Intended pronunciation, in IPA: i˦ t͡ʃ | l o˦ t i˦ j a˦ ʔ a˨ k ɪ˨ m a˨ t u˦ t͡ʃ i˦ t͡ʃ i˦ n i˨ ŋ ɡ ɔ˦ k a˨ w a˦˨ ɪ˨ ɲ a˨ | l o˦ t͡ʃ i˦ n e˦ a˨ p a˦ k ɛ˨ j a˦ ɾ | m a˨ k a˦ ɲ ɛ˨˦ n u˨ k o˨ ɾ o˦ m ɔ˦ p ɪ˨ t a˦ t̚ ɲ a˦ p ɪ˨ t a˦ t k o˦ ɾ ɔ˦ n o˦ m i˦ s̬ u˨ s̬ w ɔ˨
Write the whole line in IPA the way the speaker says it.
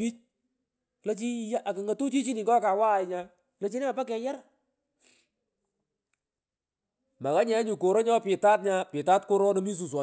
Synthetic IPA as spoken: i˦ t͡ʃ | l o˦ t͡ʃ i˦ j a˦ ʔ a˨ k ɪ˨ ŋ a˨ t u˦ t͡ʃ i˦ t͡ʃ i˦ n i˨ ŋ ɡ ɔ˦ k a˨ w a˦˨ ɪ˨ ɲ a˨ | l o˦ t͡ʃ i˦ n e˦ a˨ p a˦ k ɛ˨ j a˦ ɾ | m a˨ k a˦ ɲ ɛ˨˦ ɲ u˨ k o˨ ɾ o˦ ɲ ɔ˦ p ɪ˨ t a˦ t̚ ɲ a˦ p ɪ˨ t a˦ t k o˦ ɾ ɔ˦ n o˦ m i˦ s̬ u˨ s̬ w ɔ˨